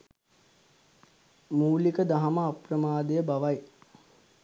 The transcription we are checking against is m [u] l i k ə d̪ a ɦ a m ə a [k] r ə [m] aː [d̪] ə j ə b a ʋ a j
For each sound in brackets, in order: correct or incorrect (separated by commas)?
incorrect, incorrect, correct, correct